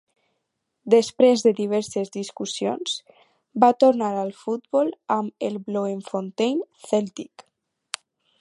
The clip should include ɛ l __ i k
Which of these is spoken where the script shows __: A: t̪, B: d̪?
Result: A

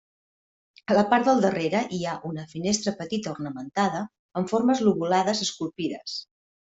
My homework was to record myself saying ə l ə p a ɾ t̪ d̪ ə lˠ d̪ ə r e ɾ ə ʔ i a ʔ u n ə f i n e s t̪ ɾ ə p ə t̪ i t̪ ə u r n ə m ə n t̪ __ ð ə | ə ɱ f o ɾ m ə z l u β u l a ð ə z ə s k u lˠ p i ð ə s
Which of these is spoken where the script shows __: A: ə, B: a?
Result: B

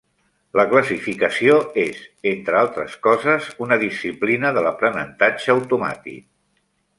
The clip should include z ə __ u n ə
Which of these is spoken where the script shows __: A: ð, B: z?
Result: B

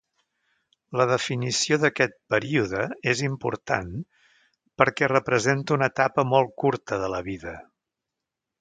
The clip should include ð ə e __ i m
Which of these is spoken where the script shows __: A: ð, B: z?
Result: B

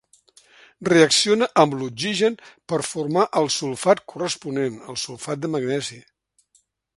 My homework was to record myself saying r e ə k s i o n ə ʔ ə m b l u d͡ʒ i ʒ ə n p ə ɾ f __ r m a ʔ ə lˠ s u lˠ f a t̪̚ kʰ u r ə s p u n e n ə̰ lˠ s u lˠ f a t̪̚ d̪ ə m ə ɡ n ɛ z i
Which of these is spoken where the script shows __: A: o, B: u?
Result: B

